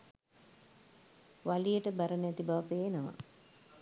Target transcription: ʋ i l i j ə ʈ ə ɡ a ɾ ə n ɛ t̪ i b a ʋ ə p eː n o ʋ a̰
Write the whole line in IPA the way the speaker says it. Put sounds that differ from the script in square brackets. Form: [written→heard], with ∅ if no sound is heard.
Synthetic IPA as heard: ʋ [i→a] l i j ə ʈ ə [ɡ→b] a ɾ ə n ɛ t̪ i b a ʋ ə p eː n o ʋ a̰